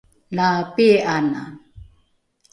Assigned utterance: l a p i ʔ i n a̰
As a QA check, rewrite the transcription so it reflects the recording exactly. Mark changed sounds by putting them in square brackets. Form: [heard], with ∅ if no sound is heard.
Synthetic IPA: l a p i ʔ [a] n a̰